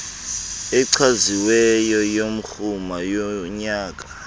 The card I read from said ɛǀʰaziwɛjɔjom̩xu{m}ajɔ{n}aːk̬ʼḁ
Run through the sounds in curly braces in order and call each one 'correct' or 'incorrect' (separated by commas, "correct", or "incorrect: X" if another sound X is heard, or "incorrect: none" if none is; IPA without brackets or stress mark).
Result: correct, incorrect: ɲ